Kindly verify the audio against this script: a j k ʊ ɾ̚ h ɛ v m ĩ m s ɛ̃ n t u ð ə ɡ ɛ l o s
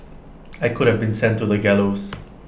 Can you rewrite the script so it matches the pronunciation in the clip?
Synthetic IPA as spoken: a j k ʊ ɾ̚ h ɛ v b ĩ n s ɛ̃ n t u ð ə ɡ ɛ l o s